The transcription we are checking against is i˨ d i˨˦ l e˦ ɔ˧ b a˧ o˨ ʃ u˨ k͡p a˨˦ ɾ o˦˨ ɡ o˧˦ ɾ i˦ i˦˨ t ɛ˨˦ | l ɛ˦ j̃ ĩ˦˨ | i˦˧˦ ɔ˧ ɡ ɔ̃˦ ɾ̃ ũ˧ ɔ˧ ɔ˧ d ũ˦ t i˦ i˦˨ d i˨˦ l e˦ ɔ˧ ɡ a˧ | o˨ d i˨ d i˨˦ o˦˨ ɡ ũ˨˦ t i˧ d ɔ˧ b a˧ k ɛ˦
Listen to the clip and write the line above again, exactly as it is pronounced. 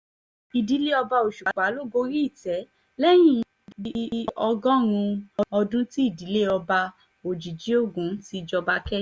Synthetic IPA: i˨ d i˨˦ l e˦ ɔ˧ b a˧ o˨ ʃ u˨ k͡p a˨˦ l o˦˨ ɡ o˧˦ ɾ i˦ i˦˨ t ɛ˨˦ | l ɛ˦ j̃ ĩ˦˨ | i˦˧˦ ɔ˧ ɡ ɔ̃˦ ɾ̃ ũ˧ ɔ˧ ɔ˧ d ũ˦ t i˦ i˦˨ d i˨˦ l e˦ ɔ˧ b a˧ | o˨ d͡ʒ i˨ d͡ʒ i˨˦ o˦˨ ɡ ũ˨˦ t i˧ d͡ʒ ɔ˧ b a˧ k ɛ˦